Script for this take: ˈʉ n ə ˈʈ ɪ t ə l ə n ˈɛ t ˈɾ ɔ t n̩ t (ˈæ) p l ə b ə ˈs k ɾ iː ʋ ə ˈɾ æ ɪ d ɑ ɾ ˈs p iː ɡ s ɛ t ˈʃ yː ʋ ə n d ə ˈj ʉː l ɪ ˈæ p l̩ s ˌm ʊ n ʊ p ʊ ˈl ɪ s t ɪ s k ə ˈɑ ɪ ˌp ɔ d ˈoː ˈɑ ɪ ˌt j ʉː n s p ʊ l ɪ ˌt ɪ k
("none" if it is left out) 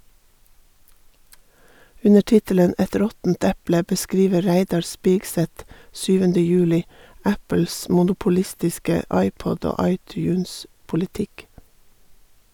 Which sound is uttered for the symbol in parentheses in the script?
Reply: ɛ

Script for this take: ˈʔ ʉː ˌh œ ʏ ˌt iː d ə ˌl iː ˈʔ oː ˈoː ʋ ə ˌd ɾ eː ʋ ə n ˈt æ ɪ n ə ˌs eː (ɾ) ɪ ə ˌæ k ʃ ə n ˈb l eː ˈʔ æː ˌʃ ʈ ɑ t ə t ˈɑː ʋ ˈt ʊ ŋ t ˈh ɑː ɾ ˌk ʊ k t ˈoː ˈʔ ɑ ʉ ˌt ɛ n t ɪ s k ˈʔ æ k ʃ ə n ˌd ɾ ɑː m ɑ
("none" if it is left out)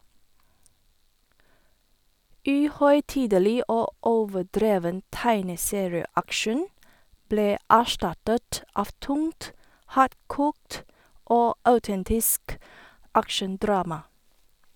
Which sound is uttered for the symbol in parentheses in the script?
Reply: ɹ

